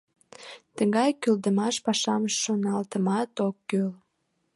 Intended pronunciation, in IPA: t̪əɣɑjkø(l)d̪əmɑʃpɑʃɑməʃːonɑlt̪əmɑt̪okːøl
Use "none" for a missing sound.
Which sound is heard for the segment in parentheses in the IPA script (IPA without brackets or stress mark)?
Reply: l